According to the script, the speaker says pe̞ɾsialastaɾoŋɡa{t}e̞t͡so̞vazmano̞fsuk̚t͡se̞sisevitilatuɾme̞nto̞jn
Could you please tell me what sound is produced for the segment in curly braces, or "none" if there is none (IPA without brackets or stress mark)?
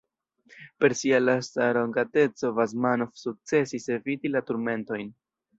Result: t